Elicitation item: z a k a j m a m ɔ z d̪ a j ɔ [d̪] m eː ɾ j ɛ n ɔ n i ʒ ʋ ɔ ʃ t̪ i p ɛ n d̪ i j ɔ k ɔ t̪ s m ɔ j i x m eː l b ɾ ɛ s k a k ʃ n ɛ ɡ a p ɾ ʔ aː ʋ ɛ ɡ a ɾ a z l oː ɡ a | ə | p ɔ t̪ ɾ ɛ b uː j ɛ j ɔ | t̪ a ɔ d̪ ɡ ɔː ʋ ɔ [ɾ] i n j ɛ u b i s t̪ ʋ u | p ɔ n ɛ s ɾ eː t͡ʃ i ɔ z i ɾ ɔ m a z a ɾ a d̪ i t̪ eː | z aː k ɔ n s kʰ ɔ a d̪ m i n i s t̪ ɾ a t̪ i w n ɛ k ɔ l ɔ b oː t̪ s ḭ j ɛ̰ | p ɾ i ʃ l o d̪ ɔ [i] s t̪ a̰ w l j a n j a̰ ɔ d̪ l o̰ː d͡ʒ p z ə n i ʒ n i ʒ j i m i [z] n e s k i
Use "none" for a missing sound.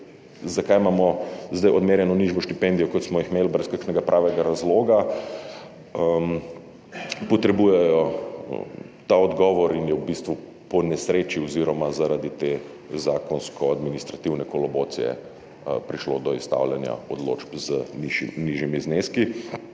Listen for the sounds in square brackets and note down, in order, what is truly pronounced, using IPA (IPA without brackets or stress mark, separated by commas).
d̪, ɾ, i, z